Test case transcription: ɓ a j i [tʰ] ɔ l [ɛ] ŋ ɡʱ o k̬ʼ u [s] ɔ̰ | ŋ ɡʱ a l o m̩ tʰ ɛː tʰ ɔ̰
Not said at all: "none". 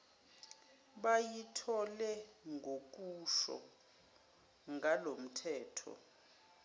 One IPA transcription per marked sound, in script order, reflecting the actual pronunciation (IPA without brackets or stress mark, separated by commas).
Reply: tʰ, ɛ, ʃ